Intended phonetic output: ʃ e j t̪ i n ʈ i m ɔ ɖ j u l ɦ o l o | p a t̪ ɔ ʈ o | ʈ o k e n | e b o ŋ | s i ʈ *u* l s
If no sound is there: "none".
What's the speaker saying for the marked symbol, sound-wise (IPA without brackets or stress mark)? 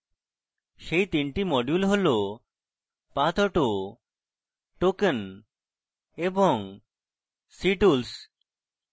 u